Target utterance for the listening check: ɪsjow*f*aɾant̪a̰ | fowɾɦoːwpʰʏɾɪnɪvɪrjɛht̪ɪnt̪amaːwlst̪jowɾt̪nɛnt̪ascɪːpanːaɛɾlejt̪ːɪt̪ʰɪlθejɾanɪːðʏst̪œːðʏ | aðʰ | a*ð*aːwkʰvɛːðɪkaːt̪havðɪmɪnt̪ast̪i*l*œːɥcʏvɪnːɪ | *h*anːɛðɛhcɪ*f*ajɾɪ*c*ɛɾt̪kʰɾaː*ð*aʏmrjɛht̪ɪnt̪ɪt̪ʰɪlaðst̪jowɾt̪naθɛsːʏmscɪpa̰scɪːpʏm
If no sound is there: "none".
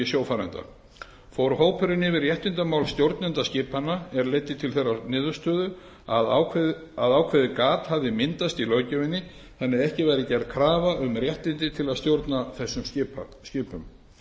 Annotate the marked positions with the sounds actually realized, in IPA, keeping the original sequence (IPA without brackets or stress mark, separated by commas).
f, ð, l, θ, v, c, v